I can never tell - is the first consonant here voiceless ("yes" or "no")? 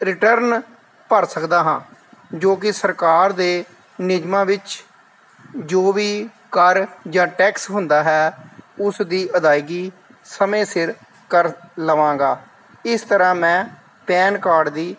no